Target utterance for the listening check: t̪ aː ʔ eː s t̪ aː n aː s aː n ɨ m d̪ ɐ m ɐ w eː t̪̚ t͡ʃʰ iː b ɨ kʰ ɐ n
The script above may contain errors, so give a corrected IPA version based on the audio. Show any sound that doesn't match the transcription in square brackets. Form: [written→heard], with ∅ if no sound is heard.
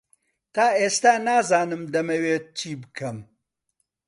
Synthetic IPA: t̪ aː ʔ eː s t̪ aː n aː [s→z] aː n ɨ m d̪ ɐ m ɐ w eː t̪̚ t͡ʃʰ iː b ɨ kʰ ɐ [n→m]